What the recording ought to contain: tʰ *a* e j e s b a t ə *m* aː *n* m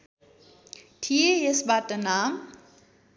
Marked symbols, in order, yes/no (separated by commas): no, no, no